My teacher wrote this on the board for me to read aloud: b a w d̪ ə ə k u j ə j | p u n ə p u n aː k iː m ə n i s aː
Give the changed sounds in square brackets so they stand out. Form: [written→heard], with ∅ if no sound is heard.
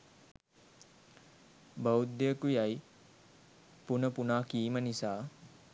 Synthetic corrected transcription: b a w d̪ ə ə k u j [ə→a] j | p u n ə p u n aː k iː m ə n i s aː